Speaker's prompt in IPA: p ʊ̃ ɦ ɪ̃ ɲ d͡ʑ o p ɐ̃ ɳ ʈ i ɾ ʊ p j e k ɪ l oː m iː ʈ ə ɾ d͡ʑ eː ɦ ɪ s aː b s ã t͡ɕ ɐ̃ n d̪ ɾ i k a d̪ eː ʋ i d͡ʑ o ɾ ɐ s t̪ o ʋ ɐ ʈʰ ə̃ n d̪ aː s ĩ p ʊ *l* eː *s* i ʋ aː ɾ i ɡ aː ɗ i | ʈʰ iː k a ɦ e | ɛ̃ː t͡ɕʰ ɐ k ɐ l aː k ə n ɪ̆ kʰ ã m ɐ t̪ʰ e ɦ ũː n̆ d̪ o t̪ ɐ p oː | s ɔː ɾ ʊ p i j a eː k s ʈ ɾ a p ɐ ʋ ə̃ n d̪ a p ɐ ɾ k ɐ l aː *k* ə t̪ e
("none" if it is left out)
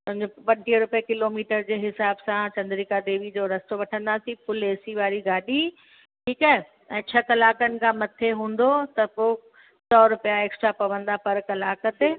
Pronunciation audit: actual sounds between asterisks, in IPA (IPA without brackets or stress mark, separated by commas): l, s, k